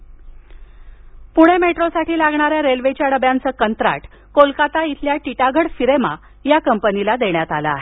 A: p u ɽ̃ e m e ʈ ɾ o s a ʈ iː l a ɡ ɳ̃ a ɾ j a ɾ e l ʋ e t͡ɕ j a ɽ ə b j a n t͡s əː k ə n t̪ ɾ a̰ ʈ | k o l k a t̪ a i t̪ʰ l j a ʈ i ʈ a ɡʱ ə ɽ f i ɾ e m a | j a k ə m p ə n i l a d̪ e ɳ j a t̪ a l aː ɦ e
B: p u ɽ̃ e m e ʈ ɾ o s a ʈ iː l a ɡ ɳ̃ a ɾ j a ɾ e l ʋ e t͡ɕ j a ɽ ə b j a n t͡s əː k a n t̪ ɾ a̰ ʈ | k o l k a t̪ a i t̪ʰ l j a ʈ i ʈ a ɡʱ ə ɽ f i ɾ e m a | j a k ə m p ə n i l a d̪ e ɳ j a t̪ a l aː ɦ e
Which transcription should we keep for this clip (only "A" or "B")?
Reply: A